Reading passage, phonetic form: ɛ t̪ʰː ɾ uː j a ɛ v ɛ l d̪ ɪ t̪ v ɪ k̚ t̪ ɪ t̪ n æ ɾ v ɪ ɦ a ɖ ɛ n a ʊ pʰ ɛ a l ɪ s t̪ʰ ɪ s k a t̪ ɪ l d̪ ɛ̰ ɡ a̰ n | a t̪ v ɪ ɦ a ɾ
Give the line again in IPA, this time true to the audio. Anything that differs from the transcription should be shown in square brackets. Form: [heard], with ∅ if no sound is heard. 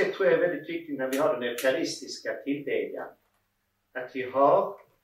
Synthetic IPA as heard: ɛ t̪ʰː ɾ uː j a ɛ v ɛ l d̪ ɪ t̪ v ɪ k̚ t̪ ɪ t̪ n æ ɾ v ɪ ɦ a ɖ ɛ n [ɛ] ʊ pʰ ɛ a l ɪ s [t̪] ɪ s k a [t̪ʰ] ɪ l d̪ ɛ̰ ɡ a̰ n | a t̪ v ɪ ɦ a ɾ